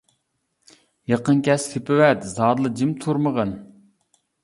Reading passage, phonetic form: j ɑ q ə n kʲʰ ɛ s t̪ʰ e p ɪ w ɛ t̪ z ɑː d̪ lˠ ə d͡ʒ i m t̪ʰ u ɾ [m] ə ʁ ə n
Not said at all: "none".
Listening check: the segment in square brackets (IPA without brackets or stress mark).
m